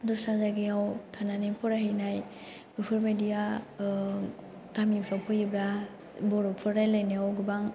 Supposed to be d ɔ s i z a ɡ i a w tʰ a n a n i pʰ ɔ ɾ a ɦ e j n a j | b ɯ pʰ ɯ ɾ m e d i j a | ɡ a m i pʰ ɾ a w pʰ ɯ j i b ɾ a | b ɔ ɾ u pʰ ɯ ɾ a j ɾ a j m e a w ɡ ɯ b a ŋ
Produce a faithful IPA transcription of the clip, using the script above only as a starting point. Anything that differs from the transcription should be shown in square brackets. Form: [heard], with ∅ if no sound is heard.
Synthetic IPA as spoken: d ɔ s [a] z a ɡ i a w tʰ a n a n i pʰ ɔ ɾ a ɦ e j n a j | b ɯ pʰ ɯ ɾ m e d i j a | ɡ a m i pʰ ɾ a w pʰ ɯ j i b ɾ a | b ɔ ɾ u pʰ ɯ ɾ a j [l] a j [n] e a w ɡ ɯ b a ŋ